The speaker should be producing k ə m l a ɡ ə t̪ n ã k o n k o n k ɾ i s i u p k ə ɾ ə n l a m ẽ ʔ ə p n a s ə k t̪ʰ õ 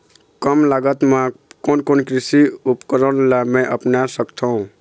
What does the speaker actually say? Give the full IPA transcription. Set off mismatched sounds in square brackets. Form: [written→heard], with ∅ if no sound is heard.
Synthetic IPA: k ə m l a ɡ ə t̪ [n→m] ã k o n k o n k ɾ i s i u p k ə ɾ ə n l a m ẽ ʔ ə p n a s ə k t̪ʰ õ